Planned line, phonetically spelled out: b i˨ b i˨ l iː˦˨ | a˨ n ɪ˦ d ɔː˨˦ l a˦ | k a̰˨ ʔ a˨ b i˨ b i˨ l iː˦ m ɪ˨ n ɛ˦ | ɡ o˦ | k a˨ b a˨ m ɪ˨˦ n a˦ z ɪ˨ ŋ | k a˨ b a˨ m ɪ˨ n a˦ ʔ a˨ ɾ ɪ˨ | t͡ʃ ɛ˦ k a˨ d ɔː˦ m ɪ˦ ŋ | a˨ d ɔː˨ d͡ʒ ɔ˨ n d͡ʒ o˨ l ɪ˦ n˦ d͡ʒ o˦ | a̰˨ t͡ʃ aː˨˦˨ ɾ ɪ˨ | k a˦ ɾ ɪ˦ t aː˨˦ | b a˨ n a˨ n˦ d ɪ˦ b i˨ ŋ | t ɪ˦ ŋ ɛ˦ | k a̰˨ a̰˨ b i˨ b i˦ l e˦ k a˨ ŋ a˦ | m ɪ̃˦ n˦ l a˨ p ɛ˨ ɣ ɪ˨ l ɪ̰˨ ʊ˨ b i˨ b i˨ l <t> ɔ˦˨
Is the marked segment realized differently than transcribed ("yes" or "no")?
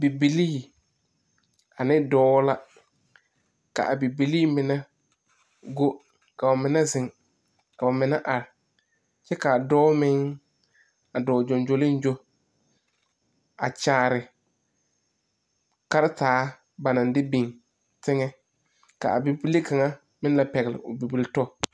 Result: no